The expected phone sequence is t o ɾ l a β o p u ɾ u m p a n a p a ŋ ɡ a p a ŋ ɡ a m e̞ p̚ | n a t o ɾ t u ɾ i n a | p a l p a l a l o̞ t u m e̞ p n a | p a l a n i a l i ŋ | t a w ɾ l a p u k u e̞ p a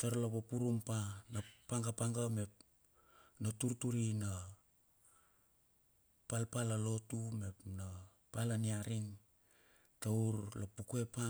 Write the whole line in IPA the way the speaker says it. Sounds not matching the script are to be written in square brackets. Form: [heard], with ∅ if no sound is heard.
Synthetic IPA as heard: t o ɾ l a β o p u ɾ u m p a n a p a ŋ ɡ a p a ŋ ɡ a m e̞ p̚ | n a t [u] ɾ t u ɾ i n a | p a l p a l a l o̞ t u m e̞ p n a | p a l a n i a [ɾ] i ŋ | t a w ɾ l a p u k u e̞ p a